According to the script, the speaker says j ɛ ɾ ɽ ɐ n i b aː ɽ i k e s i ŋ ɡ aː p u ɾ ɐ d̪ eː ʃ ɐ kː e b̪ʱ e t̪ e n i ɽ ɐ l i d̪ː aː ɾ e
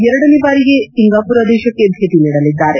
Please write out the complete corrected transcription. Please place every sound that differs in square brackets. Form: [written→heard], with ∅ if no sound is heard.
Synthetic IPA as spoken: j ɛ ɾ ɽ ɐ n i b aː [ɽ→ɾ] i [k→ɡ] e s i ŋ ɡ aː p u ɾ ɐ d̪ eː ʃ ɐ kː e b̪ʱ e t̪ [e→i] n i ɽ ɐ l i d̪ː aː ɾ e

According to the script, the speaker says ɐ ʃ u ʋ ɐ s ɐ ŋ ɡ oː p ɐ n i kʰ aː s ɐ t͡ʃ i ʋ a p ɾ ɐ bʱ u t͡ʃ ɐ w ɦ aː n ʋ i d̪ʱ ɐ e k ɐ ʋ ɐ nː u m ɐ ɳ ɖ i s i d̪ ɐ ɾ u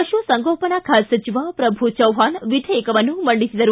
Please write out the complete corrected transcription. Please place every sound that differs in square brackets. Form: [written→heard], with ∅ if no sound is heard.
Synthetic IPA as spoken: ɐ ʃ u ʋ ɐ s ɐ ŋ ɡ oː p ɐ n [i→a] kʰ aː s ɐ t͡ʃ i ʋ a p ɾ ɐ bʱ u t͡ʃ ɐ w ɦ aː n ʋ i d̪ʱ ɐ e k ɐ ʋ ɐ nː u m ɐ ɳ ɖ i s i d̪ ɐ ɾ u

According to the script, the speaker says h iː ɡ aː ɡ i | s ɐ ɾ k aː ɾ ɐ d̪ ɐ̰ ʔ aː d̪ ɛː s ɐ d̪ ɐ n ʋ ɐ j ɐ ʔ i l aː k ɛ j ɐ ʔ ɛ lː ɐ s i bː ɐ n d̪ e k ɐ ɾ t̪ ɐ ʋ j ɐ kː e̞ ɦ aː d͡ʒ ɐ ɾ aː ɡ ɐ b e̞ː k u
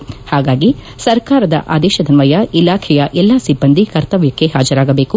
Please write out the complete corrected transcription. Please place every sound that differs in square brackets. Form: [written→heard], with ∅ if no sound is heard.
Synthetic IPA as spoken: h [iː→aː] ɡ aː ɡ i | s ɐ ɾ k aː ɾ ɐ d̪ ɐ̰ ʔ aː d̪ ɛː [s→ʃ] ɐ d̪ ɐ n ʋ ɐ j ɐ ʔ i l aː [k→kʰ] ɛ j ɐ ʔ ɛ lː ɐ s i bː ɐ n d̪ [e→i] k ɐ ɾ t̪ ɐ ʋ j ɐ kː e̞ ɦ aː d͡ʒ ɐ ɾ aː ɡ ɐ b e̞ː k u

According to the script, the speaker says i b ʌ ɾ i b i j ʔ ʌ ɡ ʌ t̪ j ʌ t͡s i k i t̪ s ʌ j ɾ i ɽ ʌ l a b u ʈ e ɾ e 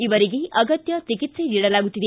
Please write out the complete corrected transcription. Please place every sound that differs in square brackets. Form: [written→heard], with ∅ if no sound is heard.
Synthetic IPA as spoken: i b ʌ ɾ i [b→ɡ] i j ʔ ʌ ɡ ʌ t̪ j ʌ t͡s i k i t̪ s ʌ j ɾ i ɽ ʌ l a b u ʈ [e→i] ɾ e

